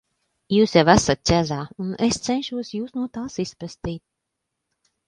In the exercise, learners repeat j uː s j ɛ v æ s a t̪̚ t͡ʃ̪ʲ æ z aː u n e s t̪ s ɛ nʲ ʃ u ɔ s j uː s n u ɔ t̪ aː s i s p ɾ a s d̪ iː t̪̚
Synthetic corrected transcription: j uː s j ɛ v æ s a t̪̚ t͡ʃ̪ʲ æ z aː u n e s t̪ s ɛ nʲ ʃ u ɔ s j uː s n u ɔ t̪ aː s i s p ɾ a s t̪ iː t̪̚